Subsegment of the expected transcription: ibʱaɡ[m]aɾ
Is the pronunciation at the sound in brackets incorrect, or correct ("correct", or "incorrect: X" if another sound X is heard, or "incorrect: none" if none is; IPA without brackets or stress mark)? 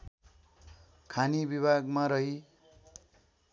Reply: correct